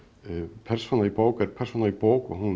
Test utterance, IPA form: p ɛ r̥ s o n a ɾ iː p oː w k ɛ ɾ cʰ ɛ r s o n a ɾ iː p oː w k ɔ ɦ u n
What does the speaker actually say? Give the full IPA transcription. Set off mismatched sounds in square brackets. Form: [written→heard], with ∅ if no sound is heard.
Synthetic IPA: [p→pʰ] ɛ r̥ s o n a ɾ [iː→i] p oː w k ɛ ɾ [cʰ→pʰ] ɛ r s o n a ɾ [iː→i] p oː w k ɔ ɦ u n